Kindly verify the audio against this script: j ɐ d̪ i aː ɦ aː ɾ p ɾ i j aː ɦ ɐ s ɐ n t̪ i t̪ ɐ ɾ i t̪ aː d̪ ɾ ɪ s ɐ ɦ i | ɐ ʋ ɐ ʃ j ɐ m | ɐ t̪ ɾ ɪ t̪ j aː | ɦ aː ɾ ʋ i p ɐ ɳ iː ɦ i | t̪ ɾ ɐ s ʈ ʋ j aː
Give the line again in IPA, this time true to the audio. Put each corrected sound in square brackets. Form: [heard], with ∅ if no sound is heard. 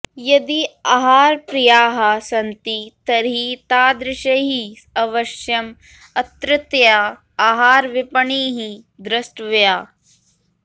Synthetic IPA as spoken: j ɐ d̪ i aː ɦ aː ɾ p ɾ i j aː ɦ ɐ s ɐ n t̪ i t̪ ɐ ɾ i t̪ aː d̪ ɾ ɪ [ʃ] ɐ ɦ i | ɐ ʋ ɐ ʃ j ɐ m | ɐ t̪ ɾ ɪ t̪ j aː | ɦ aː ɾ ʋ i p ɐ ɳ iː ɦ i | [d̪] ɾ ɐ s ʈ ʋ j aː